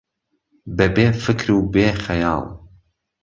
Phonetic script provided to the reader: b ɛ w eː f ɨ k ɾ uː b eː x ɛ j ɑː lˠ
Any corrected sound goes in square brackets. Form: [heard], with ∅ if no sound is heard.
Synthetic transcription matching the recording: b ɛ [b] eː f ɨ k ɾ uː b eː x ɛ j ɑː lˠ